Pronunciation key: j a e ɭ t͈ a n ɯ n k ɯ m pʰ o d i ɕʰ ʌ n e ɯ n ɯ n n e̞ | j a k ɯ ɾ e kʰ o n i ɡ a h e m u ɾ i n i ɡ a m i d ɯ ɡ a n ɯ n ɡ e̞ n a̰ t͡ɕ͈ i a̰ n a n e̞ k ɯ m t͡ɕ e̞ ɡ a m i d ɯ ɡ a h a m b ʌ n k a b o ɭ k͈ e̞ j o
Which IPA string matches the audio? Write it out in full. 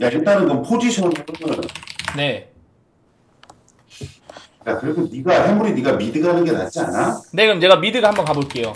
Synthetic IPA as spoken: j a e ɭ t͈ a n ɯ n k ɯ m pʰ o d͡ʑ i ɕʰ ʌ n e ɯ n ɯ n n e̞ | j a k ɯ ɾ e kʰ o n i ɡ a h e m u ɾ i n i ɡ a m i d ɯ ɡ a n ɯ n ɡ e̞ n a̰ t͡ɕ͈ i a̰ n a n e̞ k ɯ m t͡ɕ e̞ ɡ a m i d ɯ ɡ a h a m b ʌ n k a b o ɭ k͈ e̞ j o